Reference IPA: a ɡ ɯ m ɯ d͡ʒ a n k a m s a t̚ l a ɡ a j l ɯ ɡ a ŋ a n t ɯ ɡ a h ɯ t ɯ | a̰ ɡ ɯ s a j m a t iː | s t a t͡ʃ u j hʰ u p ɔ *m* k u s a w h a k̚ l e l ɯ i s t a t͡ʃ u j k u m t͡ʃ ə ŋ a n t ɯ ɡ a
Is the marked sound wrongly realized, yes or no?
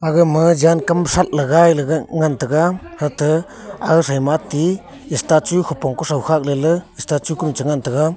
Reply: yes